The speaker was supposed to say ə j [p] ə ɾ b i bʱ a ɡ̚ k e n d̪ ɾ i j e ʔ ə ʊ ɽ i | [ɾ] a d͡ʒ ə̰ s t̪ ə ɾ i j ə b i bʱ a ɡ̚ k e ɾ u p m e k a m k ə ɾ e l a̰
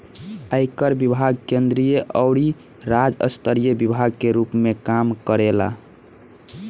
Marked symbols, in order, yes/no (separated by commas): no, yes